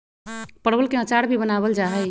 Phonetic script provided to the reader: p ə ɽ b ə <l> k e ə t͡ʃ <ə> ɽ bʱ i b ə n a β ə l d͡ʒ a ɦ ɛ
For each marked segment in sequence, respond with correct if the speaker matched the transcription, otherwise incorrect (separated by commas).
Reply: correct, incorrect